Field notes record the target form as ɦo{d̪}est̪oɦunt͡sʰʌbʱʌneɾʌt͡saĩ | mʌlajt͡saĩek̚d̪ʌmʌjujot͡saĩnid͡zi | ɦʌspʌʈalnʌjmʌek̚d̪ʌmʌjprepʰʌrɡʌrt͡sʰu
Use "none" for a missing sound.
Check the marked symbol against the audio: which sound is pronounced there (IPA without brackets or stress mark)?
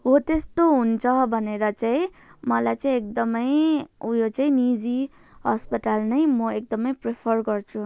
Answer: t̪